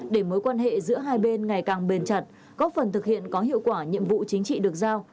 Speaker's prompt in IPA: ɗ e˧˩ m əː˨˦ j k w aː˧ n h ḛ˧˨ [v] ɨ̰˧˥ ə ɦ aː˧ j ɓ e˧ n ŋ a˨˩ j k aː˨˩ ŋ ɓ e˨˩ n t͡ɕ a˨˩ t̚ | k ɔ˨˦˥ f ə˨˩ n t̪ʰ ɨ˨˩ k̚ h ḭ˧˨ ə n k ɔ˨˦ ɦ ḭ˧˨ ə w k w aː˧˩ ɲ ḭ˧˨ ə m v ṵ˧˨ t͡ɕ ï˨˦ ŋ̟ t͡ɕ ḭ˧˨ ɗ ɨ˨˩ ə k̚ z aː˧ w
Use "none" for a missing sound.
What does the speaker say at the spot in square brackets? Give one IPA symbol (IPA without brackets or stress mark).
z